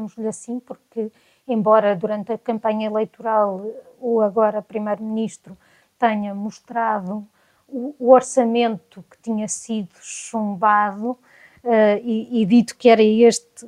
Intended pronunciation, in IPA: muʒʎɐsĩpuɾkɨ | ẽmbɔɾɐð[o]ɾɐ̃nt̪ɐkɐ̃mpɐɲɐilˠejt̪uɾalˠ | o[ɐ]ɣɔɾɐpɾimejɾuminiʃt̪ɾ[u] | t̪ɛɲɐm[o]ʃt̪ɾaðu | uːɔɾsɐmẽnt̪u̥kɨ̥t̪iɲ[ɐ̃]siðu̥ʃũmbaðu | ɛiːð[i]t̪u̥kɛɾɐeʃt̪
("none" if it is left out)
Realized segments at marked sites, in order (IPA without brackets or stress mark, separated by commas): u, ɐ, u, u, ɐ, i